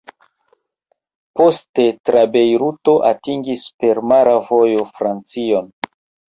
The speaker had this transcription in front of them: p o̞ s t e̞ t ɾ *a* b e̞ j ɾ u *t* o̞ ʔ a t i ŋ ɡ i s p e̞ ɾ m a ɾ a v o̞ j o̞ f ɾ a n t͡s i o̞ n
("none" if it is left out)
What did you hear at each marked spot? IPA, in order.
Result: a, t

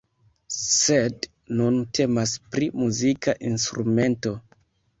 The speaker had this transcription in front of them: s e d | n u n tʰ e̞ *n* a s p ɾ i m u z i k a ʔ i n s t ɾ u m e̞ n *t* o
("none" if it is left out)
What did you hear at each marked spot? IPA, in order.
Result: m, t

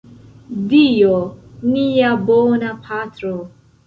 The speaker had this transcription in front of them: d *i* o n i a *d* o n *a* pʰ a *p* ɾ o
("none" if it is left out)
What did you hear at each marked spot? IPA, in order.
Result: i, b, a, t

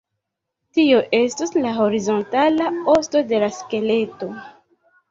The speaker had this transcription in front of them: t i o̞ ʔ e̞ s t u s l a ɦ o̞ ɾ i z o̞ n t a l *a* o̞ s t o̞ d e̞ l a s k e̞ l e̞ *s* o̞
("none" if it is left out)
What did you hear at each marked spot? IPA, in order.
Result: a, t

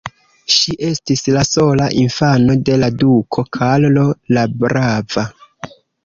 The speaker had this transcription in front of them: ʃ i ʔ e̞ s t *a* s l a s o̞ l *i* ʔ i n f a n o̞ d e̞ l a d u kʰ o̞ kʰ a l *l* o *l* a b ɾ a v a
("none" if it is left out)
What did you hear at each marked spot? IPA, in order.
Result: i, a, l, l

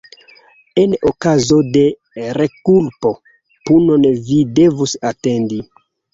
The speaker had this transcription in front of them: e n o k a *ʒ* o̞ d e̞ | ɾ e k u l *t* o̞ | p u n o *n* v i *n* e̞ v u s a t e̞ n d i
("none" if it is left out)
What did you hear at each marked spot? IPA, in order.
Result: z, p, n, d

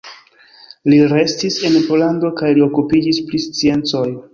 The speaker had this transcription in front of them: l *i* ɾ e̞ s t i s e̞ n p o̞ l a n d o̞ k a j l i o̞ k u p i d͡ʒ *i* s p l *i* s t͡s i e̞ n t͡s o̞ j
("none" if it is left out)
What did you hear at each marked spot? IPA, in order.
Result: i, i, i

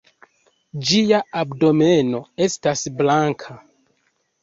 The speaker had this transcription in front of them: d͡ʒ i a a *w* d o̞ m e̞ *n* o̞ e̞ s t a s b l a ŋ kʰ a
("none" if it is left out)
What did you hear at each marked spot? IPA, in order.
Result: b, n

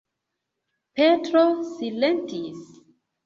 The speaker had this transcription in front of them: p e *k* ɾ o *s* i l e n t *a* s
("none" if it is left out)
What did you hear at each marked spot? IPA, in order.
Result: t, s, i

